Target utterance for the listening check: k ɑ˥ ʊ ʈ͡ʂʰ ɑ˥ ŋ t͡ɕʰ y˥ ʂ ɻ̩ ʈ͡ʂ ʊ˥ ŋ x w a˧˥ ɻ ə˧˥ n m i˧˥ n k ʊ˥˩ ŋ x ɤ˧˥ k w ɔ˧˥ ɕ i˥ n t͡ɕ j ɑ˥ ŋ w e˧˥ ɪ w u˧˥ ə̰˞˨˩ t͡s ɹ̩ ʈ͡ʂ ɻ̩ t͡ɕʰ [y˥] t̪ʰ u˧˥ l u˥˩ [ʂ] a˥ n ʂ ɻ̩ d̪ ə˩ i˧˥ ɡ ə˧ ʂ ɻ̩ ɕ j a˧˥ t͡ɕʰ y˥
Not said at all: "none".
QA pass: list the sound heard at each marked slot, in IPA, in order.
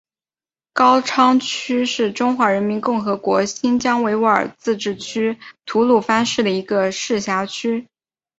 y˥, f

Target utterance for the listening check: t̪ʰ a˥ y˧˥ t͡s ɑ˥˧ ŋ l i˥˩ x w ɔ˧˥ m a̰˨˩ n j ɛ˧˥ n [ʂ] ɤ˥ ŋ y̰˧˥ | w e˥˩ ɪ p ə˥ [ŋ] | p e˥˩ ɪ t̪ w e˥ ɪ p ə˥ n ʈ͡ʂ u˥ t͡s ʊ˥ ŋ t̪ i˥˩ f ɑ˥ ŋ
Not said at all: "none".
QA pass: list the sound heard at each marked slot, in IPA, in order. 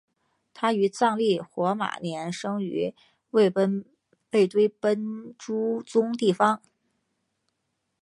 ʂ, n

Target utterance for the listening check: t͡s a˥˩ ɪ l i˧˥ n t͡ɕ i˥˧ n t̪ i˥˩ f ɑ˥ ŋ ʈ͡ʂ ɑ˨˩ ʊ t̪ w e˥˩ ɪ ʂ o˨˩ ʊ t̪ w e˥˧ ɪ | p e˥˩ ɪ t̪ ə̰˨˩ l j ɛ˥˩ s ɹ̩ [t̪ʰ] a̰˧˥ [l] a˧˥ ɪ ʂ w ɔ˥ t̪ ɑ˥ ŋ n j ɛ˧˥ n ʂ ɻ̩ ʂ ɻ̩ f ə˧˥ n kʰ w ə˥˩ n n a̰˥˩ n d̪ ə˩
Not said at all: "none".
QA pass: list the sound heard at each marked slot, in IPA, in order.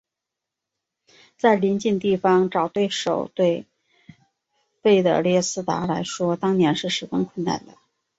t̪, l

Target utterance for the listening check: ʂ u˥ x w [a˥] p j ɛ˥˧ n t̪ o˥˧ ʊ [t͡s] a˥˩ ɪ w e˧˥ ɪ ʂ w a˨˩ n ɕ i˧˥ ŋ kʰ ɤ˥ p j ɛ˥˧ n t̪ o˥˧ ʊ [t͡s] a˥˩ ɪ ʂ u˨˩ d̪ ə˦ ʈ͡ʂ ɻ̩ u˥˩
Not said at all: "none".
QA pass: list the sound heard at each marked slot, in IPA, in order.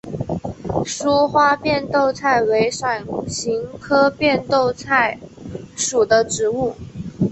a˥, t͡sʰ, t͡sʰ

